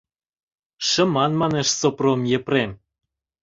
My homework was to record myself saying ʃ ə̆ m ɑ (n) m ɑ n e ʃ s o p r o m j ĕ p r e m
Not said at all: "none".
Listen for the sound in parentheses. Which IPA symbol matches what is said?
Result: n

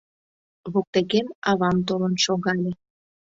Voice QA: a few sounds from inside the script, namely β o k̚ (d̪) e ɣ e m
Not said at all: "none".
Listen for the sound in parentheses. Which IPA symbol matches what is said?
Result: t̪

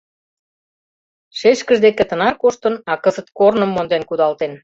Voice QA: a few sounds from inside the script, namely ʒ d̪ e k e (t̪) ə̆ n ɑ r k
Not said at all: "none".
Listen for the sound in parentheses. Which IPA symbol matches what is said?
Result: t̪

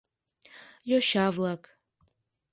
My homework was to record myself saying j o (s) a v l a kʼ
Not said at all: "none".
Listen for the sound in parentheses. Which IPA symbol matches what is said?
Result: ʃ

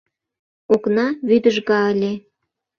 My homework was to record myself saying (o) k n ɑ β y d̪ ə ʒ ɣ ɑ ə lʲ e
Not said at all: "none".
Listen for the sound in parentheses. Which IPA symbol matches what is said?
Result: o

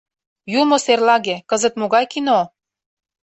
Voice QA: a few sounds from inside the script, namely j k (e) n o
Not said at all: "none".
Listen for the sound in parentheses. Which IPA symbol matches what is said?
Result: i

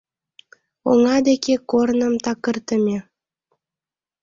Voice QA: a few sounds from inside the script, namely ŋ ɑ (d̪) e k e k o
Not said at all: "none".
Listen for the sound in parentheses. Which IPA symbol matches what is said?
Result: d̪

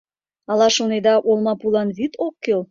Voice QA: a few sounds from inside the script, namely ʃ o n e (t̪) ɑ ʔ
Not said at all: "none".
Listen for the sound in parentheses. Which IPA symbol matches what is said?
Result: d̪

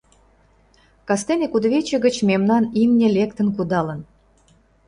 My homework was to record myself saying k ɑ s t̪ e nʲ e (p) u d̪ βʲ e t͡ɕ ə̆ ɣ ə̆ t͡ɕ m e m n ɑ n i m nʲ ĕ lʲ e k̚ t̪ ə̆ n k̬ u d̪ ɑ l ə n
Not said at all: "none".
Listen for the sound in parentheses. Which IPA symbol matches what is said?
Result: k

